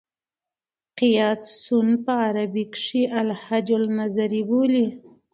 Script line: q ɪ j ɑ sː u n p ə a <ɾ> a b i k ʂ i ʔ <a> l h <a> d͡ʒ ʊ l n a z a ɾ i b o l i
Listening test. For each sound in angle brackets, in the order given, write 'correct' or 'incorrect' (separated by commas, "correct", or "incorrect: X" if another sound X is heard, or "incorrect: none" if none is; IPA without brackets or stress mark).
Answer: correct, correct, correct